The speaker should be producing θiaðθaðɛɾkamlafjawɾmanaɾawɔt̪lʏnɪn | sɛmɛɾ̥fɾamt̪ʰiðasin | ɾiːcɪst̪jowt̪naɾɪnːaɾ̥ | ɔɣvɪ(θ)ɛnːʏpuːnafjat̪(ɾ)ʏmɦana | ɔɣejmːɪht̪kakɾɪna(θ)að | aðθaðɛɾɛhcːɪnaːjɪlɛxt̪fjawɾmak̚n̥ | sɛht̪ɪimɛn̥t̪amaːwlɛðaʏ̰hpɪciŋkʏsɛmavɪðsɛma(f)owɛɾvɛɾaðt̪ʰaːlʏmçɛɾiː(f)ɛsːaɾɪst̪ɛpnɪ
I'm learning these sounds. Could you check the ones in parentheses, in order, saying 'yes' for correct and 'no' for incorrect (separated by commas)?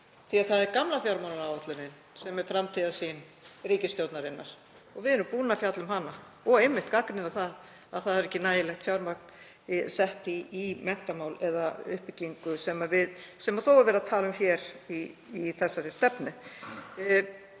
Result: no, no, yes, no, no